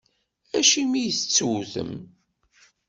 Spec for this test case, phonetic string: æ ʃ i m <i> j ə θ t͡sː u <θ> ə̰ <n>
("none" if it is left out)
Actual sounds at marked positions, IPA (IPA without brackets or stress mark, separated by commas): i, θ, m